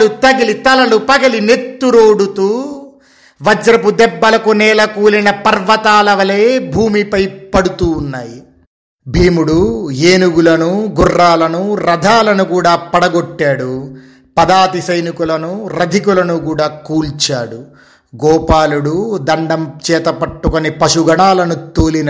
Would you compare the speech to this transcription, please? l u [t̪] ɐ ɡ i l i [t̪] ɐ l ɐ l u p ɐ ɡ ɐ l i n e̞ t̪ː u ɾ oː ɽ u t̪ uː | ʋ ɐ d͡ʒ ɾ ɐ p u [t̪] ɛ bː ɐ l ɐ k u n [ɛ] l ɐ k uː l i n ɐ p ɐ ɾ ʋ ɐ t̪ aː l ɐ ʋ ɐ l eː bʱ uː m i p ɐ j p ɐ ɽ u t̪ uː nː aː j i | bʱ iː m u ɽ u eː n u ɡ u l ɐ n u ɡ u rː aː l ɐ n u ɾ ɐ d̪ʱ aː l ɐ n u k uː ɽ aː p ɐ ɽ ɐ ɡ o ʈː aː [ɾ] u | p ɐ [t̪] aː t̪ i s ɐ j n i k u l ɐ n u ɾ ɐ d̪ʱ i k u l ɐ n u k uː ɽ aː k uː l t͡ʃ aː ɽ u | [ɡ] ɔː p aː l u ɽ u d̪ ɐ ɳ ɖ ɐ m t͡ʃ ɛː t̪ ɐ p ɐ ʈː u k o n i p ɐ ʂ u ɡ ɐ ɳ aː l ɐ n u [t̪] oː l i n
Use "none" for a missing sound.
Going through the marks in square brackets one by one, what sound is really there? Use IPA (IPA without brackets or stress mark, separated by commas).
t̪, t̪, d̪, ɛː, ɽ, d̪, ɡ, t̪